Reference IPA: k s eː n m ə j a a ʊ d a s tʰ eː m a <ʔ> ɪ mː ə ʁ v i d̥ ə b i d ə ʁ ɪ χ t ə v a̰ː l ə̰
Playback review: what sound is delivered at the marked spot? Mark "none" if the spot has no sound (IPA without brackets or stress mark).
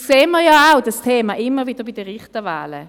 ʔ